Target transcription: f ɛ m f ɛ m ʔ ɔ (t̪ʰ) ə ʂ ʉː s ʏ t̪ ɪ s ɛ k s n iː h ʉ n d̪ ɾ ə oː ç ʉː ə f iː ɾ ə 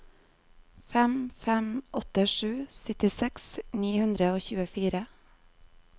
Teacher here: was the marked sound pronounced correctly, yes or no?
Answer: no